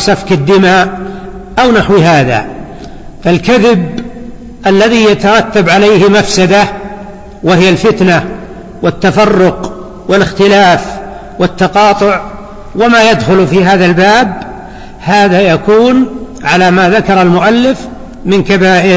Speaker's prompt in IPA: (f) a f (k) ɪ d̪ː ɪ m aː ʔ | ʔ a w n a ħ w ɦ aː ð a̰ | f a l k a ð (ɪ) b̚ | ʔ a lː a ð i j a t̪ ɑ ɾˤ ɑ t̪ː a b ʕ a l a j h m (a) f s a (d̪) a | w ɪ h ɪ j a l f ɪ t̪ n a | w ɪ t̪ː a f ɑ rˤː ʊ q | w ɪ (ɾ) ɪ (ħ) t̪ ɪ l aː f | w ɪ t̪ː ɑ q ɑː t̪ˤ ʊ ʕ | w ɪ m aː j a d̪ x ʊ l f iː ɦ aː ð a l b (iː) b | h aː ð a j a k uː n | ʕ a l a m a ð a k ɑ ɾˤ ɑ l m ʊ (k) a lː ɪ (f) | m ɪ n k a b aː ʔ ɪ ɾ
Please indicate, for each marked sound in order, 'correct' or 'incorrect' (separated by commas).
incorrect, correct, correct, correct, correct, incorrect, incorrect, incorrect, incorrect, correct